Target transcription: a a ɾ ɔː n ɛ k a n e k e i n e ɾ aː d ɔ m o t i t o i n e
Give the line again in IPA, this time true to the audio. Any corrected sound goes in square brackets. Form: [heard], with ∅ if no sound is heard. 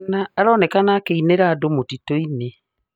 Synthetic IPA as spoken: a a ɾ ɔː n ɛ k a n [a] k e i n e ɾ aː d [o] m o t i t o i n e